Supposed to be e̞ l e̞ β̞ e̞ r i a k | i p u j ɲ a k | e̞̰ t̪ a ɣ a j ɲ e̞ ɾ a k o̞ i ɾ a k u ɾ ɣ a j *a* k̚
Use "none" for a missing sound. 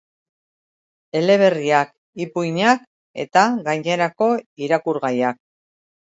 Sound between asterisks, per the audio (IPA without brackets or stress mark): a